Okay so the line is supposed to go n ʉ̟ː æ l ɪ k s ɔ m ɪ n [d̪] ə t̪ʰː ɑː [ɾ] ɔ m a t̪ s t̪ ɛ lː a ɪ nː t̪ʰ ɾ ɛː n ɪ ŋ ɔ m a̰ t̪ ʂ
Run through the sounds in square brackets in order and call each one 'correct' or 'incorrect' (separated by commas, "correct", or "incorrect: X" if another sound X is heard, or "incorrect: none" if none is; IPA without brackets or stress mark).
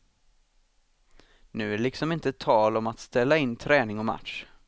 incorrect: t̪, incorrect: l